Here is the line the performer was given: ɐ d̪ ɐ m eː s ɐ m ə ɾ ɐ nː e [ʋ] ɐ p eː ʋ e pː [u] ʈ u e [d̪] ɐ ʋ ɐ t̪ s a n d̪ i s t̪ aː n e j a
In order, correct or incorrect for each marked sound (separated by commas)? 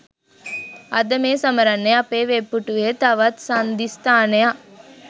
incorrect, correct, incorrect